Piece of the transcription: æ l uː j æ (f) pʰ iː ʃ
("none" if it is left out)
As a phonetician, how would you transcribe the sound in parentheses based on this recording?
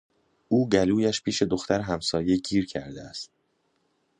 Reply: ʃ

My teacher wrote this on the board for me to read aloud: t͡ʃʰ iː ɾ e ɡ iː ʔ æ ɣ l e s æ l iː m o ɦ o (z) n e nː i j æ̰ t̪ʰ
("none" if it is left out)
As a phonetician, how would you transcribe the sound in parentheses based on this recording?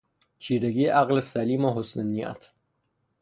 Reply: s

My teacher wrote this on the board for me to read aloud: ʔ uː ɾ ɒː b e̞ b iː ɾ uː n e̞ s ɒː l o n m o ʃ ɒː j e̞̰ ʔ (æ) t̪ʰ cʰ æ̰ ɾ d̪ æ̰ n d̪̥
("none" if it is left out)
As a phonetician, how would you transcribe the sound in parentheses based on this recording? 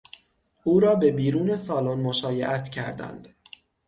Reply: æ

